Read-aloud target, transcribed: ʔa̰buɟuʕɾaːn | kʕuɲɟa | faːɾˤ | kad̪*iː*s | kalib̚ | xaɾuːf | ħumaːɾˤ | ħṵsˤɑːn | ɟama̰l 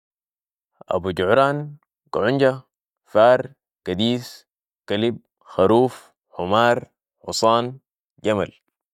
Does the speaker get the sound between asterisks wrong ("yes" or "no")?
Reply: no